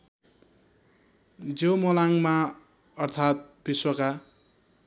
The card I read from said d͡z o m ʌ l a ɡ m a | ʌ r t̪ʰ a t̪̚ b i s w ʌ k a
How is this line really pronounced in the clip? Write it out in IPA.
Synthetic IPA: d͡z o m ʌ l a ŋ m a | ʌ r t̪ʰ a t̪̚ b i s w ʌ k a